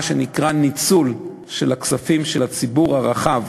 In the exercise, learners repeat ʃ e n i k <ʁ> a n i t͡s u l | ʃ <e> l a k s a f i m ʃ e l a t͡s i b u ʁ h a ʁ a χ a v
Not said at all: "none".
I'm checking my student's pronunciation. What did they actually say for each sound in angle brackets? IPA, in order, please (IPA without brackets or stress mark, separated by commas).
ʁ, e